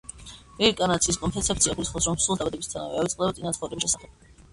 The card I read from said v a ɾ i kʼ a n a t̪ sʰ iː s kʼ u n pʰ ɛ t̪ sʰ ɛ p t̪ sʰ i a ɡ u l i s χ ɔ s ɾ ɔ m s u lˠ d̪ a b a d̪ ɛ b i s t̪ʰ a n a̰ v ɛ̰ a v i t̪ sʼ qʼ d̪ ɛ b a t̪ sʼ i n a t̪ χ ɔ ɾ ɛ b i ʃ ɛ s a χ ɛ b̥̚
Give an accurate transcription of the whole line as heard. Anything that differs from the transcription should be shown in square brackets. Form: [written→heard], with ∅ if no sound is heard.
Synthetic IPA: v [a→ɛ] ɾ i kʼ a n a t̪ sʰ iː s kʼ [u→ɔ] n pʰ ɛ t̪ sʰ ɛ p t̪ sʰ i a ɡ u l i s χ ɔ s ɾ ɔ m s u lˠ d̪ a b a d̪ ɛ b i s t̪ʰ a n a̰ v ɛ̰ a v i t̪ sʼ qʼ d̪ ɛ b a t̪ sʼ i n a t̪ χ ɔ ɾ ɛ b i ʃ ɛ s a χ ɛ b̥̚